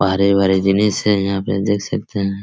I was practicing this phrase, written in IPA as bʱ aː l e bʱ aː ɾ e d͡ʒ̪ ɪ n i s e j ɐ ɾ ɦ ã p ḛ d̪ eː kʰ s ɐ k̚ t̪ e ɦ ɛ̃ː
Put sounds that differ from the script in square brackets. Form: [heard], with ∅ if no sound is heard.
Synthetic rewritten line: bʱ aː [ɾ] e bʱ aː ɾ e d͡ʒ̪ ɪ n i s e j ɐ [∅] ɦ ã p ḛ d̪ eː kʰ s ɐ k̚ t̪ e ɦ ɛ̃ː